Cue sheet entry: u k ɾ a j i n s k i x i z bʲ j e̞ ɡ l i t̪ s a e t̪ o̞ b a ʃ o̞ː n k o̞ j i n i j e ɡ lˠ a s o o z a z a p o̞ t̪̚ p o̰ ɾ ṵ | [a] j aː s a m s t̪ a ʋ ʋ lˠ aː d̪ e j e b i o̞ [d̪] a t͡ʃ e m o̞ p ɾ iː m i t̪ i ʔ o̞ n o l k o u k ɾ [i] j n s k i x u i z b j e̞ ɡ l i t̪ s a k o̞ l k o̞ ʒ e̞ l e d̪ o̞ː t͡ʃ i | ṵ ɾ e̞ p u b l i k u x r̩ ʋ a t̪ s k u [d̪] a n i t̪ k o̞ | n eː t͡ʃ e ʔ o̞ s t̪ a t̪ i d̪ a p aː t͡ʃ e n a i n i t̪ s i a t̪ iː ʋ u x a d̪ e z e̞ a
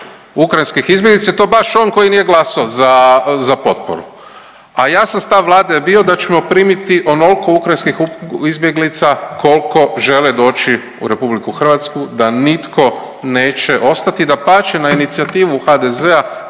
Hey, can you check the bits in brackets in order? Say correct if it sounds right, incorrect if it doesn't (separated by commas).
correct, correct, incorrect, correct